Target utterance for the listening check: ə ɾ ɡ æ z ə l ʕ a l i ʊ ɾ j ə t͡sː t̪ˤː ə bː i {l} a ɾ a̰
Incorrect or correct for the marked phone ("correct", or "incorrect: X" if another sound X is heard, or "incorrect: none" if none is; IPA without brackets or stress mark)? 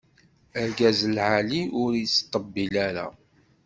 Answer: correct